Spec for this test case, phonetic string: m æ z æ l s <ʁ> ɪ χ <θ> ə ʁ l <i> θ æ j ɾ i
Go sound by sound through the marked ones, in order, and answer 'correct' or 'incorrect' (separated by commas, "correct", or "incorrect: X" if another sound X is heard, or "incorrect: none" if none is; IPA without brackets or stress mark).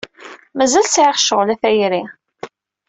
incorrect: ʕ, incorrect: ʃ, incorrect: æ